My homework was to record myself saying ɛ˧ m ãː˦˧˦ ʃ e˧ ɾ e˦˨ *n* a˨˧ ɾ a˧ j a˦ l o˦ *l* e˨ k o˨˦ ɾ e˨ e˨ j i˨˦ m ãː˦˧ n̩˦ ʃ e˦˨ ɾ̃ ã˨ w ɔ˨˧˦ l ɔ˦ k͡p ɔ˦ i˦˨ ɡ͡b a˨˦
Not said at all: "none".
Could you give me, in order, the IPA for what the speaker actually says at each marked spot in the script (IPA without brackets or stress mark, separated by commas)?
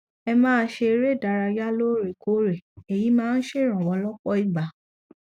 d, ɾ